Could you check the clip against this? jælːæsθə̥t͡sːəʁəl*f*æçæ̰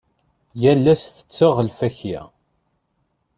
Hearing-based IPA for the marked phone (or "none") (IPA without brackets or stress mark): f